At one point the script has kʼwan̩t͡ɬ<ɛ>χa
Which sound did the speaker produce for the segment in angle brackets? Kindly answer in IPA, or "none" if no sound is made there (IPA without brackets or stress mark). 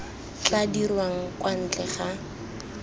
ɛ